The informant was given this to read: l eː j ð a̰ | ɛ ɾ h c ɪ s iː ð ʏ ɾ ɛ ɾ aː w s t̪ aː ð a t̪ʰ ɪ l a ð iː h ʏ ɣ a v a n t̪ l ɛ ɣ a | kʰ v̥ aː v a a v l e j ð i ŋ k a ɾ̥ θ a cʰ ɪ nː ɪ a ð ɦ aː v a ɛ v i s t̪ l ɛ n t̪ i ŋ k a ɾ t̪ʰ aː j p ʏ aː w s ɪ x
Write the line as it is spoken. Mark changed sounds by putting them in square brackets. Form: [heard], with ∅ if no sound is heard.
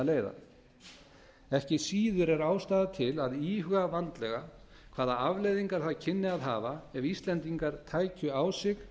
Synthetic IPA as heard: l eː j ð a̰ | ɛ [∅] h c ɪ s iː ð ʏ ɾ ɛ ɾ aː w s t̪ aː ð a t̪ʰ ɪ l a ð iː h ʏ ɣ a v a n t̪ l ɛ ɣ a | kʰ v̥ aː [ð] a a v l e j ð i ŋ k a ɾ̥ θ a cʰ ɪ nː ɪ a ð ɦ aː v a ɛ v i s t̪ l ɛ n t̪ i ŋ k a ɾ t̪ʰ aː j [c] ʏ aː w s ɪ x